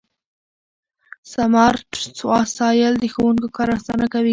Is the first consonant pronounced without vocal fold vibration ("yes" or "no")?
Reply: yes